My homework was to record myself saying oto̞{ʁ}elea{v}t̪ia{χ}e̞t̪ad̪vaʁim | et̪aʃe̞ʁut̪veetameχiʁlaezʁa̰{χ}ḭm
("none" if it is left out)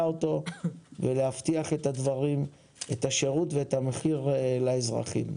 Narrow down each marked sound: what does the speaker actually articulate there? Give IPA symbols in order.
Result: v, f, χ, χ

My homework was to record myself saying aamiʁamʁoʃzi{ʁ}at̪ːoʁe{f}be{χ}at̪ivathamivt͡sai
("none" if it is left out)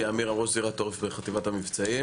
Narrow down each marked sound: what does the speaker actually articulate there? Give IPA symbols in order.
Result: ʁ, f, χ

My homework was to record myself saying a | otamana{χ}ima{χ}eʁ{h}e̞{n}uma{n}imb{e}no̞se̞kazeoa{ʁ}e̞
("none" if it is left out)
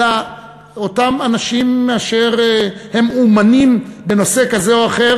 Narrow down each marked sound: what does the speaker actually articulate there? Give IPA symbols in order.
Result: ʃ, ʃ, h, m, n, e, χ

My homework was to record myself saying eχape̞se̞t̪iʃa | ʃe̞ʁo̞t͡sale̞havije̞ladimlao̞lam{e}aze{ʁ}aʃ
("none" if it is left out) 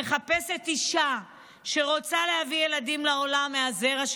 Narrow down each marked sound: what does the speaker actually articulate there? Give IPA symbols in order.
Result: e, ʁ

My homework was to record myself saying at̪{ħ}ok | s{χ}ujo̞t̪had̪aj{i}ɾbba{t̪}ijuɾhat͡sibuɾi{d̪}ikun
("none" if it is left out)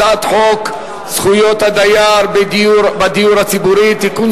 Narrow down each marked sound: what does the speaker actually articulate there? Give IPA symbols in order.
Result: ħ, χ, a, d̪, t̪

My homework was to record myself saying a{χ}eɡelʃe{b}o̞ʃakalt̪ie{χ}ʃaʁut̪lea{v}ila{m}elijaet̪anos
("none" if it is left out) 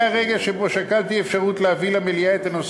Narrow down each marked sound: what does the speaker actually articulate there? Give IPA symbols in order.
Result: ʁ, b, f, v, m

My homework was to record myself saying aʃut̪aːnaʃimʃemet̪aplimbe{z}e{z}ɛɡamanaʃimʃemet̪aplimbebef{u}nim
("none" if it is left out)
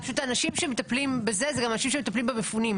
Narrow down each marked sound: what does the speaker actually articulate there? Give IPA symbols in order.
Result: z, z, u

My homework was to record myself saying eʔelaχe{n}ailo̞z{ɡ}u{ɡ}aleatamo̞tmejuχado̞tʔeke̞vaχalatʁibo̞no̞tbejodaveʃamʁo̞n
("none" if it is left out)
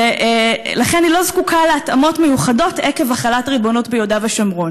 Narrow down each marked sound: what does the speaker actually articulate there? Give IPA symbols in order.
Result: n, k, k

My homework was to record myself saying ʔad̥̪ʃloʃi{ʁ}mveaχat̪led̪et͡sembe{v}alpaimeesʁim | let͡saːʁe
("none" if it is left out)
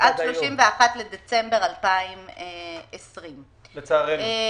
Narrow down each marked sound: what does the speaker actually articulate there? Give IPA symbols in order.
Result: none, ʁ

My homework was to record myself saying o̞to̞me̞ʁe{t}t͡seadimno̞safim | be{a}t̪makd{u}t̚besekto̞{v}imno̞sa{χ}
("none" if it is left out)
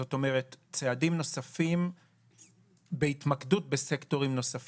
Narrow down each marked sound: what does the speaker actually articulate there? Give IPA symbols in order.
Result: t, i, u, ʁ, f

